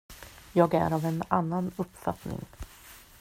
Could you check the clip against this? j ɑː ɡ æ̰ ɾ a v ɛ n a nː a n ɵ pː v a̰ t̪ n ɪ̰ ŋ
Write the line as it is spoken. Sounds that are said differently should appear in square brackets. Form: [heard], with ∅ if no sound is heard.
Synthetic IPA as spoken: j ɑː ɡ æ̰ ɾ a v ɛ n a nː a n ɵ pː [f] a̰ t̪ n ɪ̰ ŋ

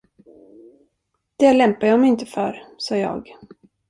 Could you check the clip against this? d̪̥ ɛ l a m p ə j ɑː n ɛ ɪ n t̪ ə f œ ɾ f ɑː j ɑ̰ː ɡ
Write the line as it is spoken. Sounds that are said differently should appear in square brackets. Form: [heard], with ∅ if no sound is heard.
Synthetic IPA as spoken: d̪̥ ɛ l [ɛ] m p [a] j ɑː [m] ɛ ɪ n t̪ ə f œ ɾ [s] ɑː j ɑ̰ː ɡ

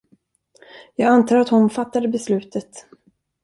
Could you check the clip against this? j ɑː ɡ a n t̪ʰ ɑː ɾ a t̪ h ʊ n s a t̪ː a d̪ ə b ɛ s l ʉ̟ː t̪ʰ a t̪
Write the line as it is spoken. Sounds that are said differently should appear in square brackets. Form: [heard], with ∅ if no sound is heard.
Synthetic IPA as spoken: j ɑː ɡ a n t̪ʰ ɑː ɾ a t̪ h ʊ n [f] a t̪ː a d̪ ə b ɛ s l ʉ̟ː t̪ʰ [ə] t̪

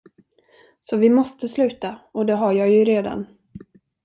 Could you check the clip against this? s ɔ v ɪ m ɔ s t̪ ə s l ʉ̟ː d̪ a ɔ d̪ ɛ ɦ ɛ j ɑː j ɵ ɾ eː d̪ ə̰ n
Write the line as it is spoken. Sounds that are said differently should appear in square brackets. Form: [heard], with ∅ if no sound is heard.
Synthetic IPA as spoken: s ɔ v ɪ m ɔ s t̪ ə s l ʉ̟ː [t̪] a ɔ d̪ ɛ ɦ [a] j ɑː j ɵ ɾ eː d̪ [a̰] n

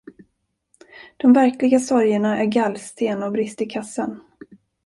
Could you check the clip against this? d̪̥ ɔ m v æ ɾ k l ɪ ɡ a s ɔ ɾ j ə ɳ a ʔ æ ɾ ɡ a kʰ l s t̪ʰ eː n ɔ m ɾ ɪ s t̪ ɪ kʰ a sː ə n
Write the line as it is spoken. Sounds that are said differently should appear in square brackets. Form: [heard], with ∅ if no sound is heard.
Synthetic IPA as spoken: d̪̥ ɔ m v æ ɾ k l ɪ ɡ a s ɔ ɾ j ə ɳ a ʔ æ ɾ ɡ a [∅] l s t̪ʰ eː n ɔ [b] ɾ ɪ s t̪ ɪ kʰ a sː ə n

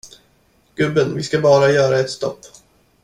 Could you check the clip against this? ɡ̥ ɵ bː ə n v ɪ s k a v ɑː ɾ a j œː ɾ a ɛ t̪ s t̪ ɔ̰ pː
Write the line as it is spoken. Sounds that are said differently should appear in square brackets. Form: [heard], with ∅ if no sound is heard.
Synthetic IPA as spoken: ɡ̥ ɵ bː ə n v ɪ s k a [b] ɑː ɾ a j œː ɾ a ɛ t̪ s t̪ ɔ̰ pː

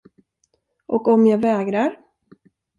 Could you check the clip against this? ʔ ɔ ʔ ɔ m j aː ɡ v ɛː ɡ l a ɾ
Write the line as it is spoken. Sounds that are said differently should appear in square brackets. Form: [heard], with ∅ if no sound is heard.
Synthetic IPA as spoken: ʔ ɔ [k] ɔ m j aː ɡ v ɛː ɡ [ɾ] a ɾ

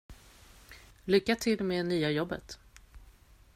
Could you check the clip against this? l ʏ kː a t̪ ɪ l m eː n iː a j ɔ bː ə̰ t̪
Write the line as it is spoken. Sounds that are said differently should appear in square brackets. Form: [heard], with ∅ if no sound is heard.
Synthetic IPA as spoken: l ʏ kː a [t̪ʰ] ɪ l m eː n [yː] a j ɔ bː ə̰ t̪

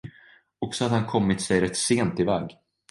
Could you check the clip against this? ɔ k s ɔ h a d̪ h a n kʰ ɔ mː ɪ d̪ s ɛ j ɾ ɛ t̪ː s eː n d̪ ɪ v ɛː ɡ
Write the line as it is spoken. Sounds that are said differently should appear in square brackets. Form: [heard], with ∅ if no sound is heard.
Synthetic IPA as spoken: ɔ k s ɔ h a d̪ h a n kʰ ɔ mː ɪ [t̪] s ɛ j ɾ ɛ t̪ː s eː n [t̪] ɪ v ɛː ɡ

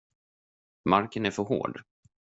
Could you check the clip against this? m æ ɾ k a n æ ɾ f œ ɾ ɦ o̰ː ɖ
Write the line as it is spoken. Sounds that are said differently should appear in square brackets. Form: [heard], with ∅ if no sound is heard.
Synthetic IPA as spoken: m [a] ɾ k [ə] n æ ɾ f œ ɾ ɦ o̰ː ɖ

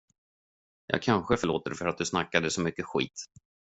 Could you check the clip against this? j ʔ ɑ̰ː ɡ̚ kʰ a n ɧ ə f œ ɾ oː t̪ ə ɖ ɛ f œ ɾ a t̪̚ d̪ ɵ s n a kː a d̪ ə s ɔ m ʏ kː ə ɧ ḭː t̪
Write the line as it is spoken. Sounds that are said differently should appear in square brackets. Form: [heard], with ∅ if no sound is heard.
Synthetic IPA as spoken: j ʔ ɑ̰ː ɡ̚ kʰ a n ɧ ə f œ [ɭ] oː t̪ ə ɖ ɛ f œ ɾ a t̪̚ d̪ ɵ s n a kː a d̪ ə s ɔ m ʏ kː ə ɧ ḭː t̪

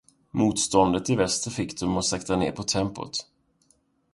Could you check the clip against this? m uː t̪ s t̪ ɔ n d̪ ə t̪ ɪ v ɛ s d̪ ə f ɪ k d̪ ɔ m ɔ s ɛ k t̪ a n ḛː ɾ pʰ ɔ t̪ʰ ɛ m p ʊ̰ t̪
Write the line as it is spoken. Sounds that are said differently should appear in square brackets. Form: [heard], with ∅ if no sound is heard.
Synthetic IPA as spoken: m uː t̪ s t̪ ɔ n d̪ ə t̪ ɪ v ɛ s [t̪] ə f ɪ k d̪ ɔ m ɔ s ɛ k t̪ a n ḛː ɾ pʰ ɔ t̪ʰ ɛ m p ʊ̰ t̪

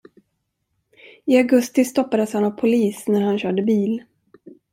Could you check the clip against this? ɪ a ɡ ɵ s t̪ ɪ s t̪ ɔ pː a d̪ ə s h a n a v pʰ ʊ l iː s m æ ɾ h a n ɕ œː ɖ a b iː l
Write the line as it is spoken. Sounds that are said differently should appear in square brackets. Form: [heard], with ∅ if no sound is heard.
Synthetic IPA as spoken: ɪ a ɡ ɵ s t̪ ɪ s t̪ ɔ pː a d̪ ə s h a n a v pʰ ʊ l iː s [n] æ ɾ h a n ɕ œː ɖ [ə] b iː l

